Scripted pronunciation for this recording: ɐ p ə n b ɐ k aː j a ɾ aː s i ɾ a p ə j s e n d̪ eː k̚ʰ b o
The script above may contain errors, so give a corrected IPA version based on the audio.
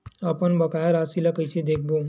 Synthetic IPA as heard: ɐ p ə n b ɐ k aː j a ɾ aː s i l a k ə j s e d̪ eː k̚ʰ b o

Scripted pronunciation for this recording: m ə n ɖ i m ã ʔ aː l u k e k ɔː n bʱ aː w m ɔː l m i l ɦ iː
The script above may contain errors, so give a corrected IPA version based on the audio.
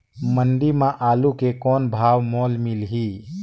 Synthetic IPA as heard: m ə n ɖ i m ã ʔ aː l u k e k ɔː n bʱ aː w m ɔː l m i l ɦ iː

